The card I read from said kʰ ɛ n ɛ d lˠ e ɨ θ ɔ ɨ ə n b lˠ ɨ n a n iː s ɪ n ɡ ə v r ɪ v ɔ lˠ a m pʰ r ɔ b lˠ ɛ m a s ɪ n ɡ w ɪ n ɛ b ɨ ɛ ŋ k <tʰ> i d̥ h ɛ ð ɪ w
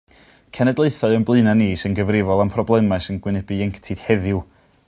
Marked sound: correct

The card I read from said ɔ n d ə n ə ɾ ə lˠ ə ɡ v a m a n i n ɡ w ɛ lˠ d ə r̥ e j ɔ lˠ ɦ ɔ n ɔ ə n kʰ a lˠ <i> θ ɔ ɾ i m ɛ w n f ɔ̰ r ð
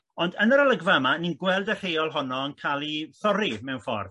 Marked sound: correct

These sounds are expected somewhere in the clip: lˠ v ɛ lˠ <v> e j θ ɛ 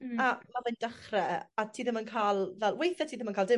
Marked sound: incorrect: w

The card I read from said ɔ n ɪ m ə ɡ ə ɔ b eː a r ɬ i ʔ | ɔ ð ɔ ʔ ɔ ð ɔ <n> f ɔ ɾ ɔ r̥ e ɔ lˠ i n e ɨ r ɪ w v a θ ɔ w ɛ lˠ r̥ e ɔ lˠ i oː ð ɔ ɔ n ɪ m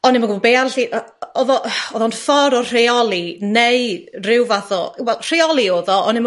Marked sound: correct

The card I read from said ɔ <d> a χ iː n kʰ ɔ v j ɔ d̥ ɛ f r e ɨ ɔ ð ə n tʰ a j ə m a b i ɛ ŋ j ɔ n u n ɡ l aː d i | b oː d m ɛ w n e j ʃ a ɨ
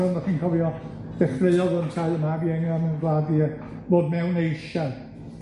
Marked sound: incorrect: n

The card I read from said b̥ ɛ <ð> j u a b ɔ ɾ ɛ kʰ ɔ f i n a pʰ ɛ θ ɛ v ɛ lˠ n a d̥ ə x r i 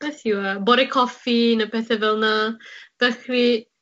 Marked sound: incorrect: θ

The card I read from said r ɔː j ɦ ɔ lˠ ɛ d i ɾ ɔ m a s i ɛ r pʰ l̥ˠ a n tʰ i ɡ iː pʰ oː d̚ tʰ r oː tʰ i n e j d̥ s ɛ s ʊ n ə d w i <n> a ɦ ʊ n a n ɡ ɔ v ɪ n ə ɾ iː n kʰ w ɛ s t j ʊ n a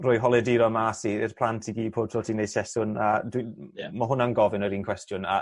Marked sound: incorrect: m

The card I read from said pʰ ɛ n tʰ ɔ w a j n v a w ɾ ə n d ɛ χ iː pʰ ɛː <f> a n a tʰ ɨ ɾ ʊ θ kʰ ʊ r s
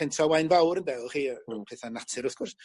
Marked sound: incorrect: θ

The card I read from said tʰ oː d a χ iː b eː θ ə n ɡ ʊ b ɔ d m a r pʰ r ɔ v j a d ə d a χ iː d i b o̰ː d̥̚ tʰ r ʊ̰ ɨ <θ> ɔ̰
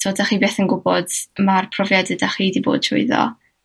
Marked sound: incorrect: ð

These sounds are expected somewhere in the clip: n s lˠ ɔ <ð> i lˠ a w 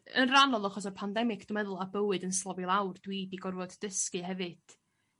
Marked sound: incorrect: v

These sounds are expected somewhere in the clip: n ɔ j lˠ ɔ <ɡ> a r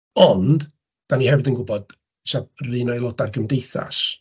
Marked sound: incorrect: d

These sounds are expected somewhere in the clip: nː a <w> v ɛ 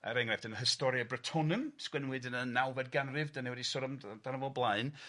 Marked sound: correct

